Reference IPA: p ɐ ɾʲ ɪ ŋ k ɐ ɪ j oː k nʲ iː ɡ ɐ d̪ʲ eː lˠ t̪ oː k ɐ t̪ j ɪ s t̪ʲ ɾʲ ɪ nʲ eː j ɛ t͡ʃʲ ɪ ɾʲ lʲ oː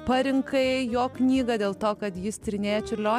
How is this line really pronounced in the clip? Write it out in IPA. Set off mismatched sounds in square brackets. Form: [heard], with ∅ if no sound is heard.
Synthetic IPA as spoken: p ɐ ɾʲ ɪ ŋ k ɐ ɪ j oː k nʲ iː ɡ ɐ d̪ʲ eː lˠ t̪ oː k ɐ t̪ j ɪ s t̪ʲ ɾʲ ɪ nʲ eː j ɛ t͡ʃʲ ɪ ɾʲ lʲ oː